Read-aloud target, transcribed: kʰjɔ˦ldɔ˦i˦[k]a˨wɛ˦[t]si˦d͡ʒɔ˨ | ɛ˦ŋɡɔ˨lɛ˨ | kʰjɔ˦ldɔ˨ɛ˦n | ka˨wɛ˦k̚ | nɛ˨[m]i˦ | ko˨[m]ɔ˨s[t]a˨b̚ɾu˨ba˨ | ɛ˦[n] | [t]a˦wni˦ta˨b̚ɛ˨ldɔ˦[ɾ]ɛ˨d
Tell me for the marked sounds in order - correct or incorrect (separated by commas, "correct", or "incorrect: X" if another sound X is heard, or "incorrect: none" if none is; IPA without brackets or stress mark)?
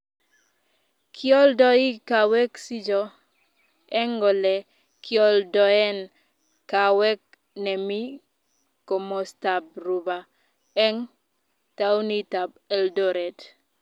correct, incorrect: k, correct, correct, correct, incorrect: ŋ, correct, correct